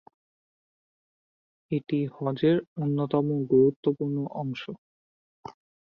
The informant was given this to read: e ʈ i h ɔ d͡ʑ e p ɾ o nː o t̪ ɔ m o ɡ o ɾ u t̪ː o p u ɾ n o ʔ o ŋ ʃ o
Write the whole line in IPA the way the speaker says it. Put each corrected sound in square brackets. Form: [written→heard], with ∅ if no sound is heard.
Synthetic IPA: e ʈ i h ɔ d͡ʑ e [p→∅] ɾ o nː o t̪ ɔ m o ɡ o ɾ u t̪ː o p u ɾ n o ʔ [o→ɔ] ŋ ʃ o